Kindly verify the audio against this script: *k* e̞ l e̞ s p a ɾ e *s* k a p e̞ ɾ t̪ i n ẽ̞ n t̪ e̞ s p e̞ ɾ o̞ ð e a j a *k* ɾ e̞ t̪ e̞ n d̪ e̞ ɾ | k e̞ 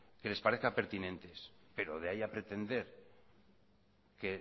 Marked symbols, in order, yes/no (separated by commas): yes, no, no